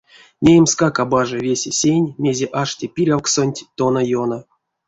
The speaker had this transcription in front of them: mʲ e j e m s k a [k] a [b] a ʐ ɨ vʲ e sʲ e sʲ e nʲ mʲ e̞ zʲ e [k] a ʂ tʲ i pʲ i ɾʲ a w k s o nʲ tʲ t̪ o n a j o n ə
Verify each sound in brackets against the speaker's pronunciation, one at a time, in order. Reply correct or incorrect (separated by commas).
correct, correct, incorrect